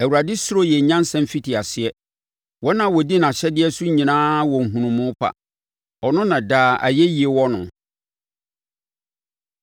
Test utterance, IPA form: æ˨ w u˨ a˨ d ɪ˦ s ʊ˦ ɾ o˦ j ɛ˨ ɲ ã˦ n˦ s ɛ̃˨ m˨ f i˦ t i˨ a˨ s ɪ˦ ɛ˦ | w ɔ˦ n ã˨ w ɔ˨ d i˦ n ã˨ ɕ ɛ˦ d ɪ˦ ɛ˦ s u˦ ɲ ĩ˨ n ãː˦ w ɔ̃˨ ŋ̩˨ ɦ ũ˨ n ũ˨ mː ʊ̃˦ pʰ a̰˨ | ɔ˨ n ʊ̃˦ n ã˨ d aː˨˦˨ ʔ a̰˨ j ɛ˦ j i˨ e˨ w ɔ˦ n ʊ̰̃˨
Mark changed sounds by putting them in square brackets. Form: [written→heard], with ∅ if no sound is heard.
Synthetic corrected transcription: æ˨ w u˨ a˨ d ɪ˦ s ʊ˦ ɾ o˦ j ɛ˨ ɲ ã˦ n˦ s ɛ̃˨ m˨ f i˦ t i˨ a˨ s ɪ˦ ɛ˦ | w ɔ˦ n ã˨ w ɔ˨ d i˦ n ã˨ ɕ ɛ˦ d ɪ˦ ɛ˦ s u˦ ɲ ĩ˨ n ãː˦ w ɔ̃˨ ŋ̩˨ ɦ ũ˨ n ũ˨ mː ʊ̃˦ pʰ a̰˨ | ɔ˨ n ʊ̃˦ n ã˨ d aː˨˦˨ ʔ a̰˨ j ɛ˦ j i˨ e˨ w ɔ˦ n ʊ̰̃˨